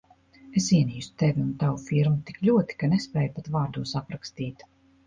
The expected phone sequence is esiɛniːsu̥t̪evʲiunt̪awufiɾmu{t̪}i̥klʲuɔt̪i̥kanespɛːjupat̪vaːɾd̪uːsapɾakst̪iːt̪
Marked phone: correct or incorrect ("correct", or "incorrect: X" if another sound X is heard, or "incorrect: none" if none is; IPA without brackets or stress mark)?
correct